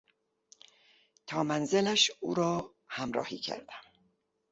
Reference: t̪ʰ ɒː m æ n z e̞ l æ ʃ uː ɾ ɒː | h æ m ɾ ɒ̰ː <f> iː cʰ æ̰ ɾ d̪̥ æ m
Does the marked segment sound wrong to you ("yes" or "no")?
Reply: yes